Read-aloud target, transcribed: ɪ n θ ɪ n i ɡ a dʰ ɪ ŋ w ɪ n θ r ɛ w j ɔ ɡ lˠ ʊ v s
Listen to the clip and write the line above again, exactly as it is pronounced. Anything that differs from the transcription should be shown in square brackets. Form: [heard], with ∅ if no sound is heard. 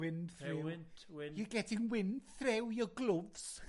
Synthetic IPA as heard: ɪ n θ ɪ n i ɡ [ɛ] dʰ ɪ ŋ w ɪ n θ r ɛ w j ɔ ɡ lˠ ʊ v s